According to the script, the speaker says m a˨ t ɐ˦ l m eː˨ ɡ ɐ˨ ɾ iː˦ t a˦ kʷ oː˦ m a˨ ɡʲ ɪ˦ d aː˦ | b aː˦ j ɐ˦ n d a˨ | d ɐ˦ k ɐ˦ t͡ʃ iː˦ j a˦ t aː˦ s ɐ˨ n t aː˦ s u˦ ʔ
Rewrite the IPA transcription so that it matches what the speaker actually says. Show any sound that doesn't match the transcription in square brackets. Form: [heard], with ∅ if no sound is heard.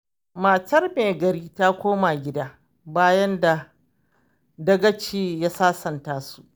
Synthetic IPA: m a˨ t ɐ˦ [r] m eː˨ ɡ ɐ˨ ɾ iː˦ t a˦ kʷ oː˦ m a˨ ɡʲ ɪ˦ d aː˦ | b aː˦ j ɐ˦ n d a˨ | d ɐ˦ [ɡ] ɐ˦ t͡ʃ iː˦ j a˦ [s] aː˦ s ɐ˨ n t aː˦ s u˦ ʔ